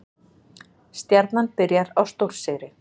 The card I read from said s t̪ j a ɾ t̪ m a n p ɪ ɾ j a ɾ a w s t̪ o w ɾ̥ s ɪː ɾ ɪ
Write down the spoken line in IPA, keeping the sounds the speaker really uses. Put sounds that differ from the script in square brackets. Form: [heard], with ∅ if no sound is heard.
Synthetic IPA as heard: s t̪ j a ɾ t̪ [n] a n p ɪ ɾ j a ɾ a w s t̪ o w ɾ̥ s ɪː ɾ ɪ